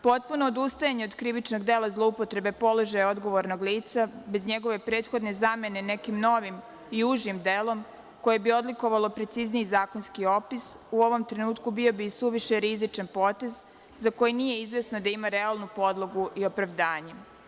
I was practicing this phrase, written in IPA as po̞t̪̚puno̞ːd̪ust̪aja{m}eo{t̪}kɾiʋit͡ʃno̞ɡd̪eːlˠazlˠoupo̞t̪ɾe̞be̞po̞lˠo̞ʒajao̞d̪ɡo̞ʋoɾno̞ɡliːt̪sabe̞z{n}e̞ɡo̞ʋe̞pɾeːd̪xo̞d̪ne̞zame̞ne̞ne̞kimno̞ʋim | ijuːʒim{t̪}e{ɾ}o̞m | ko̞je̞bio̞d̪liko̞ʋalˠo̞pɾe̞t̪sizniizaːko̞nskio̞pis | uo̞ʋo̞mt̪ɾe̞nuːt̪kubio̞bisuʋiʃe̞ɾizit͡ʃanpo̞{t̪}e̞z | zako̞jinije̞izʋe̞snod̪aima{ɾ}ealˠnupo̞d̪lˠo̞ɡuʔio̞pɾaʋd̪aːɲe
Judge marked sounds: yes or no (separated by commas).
no, no, no, no, no, yes, yes